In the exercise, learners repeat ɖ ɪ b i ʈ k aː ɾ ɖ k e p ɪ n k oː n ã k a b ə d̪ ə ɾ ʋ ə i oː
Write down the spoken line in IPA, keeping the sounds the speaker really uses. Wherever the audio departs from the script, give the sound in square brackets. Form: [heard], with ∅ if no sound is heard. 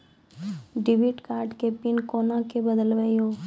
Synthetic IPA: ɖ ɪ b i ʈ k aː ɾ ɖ k e p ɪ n k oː n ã k [e] b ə d̪ ə [l] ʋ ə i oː